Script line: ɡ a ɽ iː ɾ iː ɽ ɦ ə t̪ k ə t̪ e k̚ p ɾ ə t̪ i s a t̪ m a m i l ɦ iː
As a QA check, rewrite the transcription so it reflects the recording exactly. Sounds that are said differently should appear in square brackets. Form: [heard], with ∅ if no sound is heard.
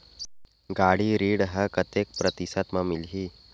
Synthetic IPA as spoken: ɡ a ɽ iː ɾ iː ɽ ɦ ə [∅] k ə t̪ e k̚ p ɾ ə t̪ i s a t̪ m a m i l ɦ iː